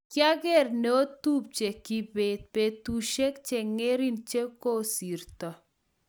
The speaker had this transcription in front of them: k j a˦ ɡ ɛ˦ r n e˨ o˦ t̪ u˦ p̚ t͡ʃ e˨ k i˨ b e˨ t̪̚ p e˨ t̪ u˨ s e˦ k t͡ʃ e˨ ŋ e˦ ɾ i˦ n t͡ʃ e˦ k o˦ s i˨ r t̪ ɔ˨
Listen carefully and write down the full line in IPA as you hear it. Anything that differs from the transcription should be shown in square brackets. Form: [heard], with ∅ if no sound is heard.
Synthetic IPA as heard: k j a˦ ɡ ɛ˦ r n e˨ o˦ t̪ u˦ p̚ t͡ʃ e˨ k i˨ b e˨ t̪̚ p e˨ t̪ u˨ [ʃ] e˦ k t͡ʃ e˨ ŋ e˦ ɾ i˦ n t͡ʃ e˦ k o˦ s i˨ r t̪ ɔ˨